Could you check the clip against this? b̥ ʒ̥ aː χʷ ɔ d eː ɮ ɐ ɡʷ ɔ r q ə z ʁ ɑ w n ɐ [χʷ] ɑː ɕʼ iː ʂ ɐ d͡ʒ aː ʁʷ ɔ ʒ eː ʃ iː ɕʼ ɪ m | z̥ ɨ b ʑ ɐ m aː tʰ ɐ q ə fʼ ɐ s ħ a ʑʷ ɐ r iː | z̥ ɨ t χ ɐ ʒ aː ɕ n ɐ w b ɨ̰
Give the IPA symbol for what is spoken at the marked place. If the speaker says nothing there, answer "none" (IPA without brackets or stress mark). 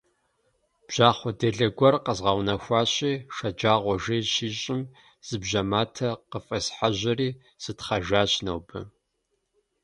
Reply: xʷ